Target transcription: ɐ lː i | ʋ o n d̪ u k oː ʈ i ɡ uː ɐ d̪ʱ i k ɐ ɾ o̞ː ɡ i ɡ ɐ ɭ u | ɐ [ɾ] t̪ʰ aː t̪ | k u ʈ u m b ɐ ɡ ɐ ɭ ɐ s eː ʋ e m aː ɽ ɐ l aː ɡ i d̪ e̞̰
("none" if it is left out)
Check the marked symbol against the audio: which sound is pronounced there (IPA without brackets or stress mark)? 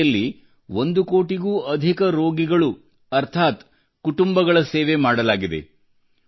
ɾ